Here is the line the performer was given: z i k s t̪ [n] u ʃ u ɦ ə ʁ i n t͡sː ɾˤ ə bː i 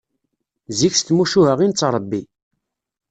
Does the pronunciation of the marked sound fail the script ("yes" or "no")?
yes